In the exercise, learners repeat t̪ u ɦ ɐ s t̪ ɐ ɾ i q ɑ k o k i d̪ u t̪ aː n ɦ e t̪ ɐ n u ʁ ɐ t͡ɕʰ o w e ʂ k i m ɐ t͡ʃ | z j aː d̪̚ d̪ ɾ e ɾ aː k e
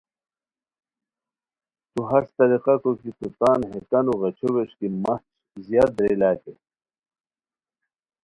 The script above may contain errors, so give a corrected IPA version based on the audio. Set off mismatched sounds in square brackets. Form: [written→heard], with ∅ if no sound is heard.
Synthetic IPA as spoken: t̪ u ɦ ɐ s t̪ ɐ ɾ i q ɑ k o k i [d̪→t̪] u t̪ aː n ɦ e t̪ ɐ n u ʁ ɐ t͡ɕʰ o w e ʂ k i m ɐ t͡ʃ | z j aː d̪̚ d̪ ɾ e [ɾ→l] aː k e

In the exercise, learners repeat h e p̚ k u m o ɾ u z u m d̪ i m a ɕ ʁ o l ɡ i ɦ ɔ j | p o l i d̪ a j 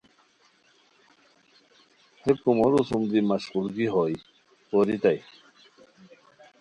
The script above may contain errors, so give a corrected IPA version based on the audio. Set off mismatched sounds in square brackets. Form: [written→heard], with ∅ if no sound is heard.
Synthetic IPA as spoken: h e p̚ k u m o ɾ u [z→s] u m d̪ i m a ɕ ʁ [o→u] l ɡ i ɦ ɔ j | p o [l→ɾ] i [d̪→t̪] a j

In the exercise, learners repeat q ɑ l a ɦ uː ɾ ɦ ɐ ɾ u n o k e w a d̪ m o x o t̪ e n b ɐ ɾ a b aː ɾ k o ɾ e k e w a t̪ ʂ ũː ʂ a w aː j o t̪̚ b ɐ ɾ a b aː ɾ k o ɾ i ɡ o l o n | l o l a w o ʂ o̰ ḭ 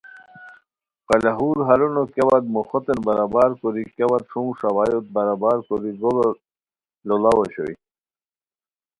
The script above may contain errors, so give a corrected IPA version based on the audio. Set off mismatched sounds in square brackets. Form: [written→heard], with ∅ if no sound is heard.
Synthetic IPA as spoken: q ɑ l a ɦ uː ɾ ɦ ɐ ɾ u n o k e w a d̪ m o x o t̪ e n b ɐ ɾ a b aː ɾ k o ɾ [e→i] k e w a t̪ ʂ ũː ʂ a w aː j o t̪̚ b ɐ ɾ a b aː ɾ k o ɾ i ɡ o l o [n→∅] | l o l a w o [ʂ→ɕ] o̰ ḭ

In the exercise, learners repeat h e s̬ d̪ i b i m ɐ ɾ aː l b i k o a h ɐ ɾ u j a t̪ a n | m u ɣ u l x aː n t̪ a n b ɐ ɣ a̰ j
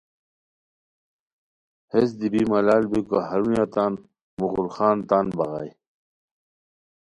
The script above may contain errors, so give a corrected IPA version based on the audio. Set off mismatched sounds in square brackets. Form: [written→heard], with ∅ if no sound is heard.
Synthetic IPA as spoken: h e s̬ d̪ i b i m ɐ [ɾ→l] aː l b i k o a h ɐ ɾ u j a t̪ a n | m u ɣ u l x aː n t̪ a n b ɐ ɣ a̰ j

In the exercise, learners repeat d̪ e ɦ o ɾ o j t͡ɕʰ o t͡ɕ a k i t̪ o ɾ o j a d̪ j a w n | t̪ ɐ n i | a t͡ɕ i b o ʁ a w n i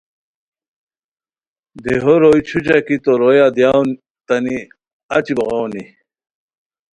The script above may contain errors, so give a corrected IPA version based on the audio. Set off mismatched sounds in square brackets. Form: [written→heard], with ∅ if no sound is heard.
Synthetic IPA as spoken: d̪ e ɦ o ɾ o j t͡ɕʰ [o→u] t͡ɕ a k i t̪ o ɾ o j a d̪ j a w n | t̪ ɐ n i | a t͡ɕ i b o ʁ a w n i

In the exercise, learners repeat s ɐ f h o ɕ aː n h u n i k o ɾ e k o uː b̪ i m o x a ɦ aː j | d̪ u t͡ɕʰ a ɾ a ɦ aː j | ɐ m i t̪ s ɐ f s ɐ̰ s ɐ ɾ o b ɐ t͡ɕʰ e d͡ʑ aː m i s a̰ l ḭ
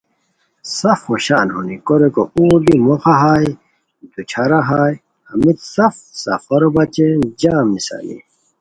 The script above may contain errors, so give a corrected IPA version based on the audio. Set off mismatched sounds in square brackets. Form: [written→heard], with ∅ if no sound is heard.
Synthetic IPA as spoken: s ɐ f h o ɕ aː n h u n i k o ɾ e k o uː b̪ i m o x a ɦ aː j | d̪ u t͡ɕʰ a ɾ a ɦ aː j | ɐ m i t̪ s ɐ f s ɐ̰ [s→f] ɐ ɾ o b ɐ [t͡ɕʰ→t͡ɕ] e d͡ʑ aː m i s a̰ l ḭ

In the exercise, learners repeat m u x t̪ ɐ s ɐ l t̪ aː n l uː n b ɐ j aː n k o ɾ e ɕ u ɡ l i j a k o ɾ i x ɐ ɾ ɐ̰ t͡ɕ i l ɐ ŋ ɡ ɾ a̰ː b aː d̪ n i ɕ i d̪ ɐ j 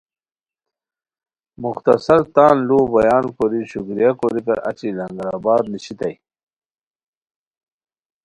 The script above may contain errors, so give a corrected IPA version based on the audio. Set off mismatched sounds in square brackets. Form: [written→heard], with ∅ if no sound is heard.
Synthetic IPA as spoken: m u x t̪ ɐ s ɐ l t̪ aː n l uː [n→∅] b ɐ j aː n k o ɾ [e→i] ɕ u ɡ [l→ɾ] i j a k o ɾ i [x→k] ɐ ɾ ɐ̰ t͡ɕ i l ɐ ŋ ɡ ɾ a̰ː b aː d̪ n i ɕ i [d̪→t̪] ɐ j

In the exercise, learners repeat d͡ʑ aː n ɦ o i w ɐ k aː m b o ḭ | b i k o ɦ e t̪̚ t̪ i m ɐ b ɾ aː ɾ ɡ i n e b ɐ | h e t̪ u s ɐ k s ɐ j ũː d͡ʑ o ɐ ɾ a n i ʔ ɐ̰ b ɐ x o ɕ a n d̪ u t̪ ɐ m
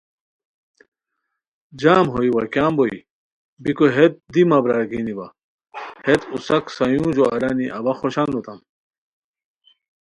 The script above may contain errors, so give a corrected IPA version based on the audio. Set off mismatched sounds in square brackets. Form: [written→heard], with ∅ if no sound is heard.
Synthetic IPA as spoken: d͡ʑ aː [n→m] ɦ o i w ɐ k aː m b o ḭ | b i k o ɦ e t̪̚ [t̪→d̪] i m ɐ b ɾ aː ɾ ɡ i n [e→i] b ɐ | h e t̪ u s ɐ k s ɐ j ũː d͡ʑ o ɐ ɾ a n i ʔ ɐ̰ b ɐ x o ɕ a n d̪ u t̪ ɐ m

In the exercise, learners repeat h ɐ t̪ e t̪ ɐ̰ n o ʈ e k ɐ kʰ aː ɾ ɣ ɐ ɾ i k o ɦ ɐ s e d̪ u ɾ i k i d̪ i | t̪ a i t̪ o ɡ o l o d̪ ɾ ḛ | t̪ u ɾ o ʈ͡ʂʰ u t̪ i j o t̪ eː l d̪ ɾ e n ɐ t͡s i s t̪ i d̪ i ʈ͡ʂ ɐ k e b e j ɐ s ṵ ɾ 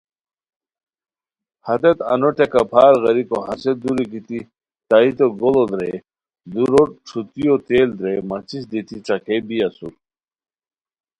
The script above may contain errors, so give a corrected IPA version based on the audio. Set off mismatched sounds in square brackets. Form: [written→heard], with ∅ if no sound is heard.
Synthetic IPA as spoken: h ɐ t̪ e t̪ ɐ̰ n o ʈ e k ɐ [kʰ→pʰ] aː ɾ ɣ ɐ ɾ i k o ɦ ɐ s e d̪ u ɾ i k i [d̪→t̪] i | t̪ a i t̪ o ɡ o l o d̪ ɾ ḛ | [t̪→d̪] u ɾ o ʈ͡ʂʰ u t̪ i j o t̪ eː l d̪ ɾ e [n→m] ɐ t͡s i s [t̪→d̪] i [d̪→t̪] i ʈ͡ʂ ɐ k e b [e→i] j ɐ s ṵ ɾ

